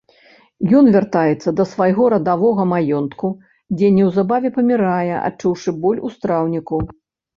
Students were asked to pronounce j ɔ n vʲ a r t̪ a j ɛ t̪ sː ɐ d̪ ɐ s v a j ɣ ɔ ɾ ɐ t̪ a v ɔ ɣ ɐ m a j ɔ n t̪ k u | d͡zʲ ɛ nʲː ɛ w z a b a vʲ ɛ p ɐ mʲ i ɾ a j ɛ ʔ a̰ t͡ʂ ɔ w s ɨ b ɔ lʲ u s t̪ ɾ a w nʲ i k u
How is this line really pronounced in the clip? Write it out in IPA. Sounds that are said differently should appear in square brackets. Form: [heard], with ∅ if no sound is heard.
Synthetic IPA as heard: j ɔ n vʲ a r t̪ a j ɛ t̪ sː ɐ d̪ ɐ s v a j ɣ ɔ ɾ ɐ [d̪] a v ɔ ɣ ɐ m a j ɔ n t̪ k u | d͡zʲ ɛ [nʲ] ɛ w z a b a vʲ ɛ p ɐ mʲ i ɾ a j ɛ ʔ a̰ t͡ʂ [u] w [ʂ] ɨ b ɔ lʲ u s t̪ ɾ a w nʲ i k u